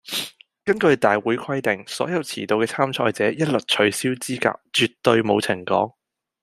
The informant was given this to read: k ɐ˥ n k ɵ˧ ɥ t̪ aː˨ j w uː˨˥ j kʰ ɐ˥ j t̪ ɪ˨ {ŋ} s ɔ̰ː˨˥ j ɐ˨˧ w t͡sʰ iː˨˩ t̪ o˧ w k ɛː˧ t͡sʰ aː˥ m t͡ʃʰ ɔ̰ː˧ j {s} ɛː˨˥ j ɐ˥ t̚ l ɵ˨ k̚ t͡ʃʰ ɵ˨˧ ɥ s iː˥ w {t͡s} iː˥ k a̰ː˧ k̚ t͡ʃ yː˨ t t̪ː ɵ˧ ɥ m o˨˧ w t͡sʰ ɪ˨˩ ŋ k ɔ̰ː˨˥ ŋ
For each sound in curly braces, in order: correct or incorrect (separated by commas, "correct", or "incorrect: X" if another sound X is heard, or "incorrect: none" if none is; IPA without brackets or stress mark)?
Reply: correct, incorrect: t͡s, correct